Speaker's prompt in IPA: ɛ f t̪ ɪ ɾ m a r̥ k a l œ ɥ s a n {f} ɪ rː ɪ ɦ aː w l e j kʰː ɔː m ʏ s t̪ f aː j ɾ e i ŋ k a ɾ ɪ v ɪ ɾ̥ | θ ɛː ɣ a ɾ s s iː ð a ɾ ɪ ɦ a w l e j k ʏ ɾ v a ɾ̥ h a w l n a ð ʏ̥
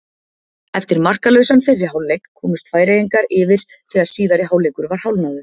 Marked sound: correct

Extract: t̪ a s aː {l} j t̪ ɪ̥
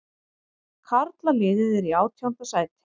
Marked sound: incorrect: none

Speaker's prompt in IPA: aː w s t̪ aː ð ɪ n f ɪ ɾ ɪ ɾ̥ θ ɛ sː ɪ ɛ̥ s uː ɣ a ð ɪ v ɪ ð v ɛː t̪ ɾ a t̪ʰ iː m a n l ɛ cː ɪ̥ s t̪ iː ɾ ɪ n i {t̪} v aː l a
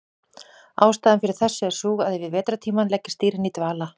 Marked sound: correct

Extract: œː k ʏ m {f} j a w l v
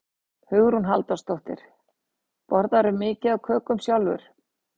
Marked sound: incorrect: s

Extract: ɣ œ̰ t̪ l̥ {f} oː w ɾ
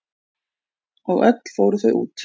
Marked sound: correct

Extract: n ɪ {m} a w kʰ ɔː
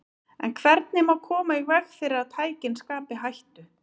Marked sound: correct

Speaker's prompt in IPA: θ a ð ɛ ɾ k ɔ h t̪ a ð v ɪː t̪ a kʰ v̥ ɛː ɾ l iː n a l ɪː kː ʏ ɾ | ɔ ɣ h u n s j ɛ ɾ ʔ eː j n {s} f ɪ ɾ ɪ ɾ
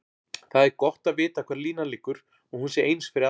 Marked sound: correct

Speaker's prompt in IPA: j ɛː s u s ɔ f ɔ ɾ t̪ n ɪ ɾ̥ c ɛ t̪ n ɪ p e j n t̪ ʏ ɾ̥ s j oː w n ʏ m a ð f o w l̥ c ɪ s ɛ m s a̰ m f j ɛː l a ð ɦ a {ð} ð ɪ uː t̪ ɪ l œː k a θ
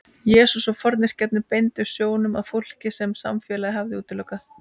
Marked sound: incorrect: v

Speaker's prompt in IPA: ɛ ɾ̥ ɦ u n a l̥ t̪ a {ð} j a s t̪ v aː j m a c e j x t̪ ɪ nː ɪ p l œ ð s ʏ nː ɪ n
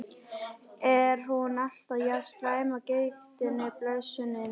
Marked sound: correct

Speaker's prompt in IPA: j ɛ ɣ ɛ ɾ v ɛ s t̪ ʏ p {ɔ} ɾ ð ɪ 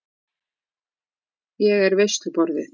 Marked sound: correct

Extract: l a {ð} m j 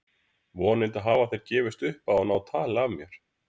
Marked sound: incorrect: v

